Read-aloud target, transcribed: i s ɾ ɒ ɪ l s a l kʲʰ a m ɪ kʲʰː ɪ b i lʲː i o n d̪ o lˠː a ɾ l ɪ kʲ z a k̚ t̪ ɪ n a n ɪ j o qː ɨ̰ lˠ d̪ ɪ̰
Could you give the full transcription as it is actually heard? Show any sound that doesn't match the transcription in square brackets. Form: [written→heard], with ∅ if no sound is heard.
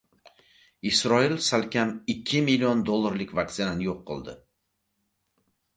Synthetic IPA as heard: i s ɾ ɒ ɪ l s a l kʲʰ a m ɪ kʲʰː ɪ [b→m] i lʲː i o n d̪ o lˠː a ɾ l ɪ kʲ [z→v] a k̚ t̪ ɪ n a n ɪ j o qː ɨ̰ lˠ d̪ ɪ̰